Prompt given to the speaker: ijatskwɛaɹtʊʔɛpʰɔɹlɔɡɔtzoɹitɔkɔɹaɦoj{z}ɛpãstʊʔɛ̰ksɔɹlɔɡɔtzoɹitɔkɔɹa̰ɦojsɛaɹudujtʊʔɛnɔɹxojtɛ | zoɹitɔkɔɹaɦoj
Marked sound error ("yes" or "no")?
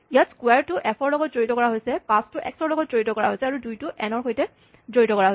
yes